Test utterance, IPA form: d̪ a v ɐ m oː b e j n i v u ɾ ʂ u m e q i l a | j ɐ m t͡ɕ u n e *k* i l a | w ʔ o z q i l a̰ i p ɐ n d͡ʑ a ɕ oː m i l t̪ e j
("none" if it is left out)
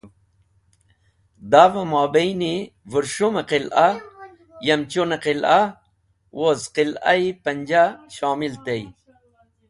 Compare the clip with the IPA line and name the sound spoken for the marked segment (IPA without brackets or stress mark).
q